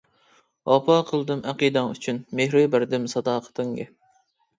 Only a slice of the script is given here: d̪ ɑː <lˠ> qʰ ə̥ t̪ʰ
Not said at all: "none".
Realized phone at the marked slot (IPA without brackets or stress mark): none